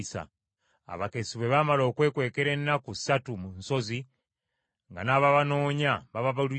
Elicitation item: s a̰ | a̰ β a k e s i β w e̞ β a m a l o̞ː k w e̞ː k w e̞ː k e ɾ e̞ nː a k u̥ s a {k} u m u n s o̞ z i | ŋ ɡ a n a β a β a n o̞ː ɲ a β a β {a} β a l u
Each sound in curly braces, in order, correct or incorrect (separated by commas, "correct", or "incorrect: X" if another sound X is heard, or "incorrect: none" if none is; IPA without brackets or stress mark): incorrect: t, correct